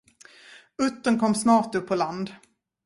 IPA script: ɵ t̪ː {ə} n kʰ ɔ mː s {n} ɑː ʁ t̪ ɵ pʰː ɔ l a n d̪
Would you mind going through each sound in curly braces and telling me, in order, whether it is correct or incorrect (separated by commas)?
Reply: correct, correct